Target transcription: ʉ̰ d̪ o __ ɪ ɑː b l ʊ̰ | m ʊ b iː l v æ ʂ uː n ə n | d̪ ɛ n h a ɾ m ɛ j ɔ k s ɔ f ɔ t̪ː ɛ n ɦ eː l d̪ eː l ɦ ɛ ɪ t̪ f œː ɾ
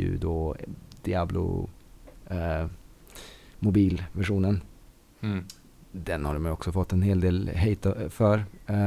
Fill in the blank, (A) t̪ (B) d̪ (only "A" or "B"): B